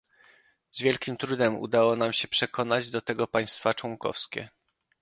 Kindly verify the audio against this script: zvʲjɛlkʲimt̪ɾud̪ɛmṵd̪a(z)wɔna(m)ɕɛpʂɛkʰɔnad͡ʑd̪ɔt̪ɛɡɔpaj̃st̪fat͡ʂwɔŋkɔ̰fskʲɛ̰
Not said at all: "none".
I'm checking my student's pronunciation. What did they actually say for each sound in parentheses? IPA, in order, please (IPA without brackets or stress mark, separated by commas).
none, m